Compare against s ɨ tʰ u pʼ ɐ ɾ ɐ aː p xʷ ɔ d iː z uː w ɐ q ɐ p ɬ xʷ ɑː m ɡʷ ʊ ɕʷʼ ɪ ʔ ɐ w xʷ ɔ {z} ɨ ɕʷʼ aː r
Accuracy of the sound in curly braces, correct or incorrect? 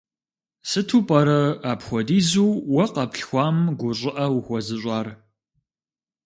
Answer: correct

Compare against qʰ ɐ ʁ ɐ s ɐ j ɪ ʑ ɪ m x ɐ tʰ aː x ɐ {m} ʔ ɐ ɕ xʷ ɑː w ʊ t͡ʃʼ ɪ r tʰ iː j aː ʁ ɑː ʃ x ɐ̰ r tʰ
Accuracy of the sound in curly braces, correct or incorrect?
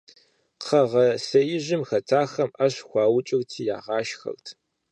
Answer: correct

